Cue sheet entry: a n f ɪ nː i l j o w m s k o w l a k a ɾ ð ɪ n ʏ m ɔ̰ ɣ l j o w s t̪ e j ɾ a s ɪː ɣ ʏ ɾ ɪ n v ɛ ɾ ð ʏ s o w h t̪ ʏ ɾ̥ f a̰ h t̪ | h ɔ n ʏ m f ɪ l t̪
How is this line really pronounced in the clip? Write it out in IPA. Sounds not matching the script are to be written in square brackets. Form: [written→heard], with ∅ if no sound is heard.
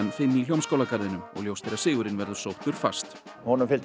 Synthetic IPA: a n f ɪ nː i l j o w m s k o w l a k a ɾ ð ɪ n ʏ m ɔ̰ ɣ l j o w s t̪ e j ɾ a s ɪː ɣ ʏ ɾ ɪ n v ɛ ɾ ð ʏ s o w h t̪ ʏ ɾ̥ f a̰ [h→s] t̪ | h ɔ n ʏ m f ɪ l t̪